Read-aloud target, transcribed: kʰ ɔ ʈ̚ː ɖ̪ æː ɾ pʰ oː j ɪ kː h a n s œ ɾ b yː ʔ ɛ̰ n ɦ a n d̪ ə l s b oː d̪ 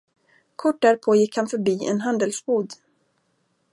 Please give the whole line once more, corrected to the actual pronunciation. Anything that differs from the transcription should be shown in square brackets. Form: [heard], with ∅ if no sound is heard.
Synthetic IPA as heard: kʰ ɔ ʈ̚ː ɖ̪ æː ɾ pʰ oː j ɪ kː h a n [f] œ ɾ b [iː] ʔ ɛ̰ n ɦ a n d̪ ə l s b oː d̪